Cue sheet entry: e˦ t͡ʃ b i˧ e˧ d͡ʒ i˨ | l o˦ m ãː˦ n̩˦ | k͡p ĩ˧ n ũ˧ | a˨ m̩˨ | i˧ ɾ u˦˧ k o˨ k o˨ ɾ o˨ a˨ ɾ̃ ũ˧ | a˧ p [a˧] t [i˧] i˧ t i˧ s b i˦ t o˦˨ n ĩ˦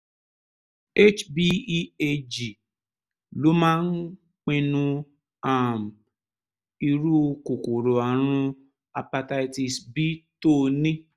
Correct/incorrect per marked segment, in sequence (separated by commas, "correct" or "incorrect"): correct, incorrect